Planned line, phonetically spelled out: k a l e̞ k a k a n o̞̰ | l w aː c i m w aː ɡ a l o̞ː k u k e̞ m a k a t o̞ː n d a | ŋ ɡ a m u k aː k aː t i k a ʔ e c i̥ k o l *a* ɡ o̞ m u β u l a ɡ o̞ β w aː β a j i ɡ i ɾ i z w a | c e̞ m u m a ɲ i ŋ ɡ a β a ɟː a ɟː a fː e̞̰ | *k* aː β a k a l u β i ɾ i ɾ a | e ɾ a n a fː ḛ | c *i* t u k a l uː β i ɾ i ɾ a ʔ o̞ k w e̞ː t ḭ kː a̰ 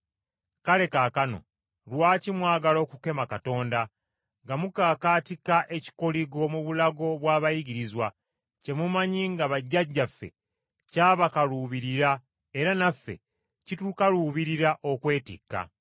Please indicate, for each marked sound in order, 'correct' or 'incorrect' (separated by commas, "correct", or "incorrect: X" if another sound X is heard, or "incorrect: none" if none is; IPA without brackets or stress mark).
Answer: incorrect: i, incorrect: c, correct